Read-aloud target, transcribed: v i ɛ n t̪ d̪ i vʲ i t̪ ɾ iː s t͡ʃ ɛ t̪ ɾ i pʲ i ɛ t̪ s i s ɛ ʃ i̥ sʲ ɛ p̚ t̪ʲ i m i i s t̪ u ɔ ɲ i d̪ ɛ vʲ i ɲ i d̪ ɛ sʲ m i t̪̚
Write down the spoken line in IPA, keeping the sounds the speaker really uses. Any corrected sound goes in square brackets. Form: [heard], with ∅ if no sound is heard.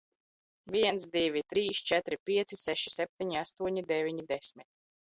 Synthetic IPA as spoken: v i ɛ n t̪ d̪ i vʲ i t̪ ɾ iː s t͡ʃ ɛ t̪ ɾ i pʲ i ɛ t̪ s i s ɛ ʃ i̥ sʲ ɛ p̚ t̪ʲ i [ɲ] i [a] s t̪ u ɔ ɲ i d̪ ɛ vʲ i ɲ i d̪ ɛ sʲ m i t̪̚